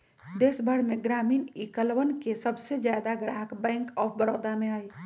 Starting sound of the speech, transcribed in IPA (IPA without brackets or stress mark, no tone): d̪